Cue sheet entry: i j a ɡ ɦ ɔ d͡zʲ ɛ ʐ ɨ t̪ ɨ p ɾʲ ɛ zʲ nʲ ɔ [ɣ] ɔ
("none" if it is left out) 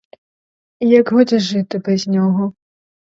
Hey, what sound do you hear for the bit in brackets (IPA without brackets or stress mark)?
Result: ɣ